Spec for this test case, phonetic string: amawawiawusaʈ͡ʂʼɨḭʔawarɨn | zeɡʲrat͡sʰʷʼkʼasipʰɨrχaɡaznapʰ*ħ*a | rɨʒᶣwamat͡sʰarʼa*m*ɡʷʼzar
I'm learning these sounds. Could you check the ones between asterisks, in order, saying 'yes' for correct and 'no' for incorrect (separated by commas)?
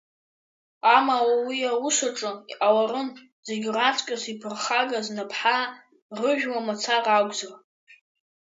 yes, no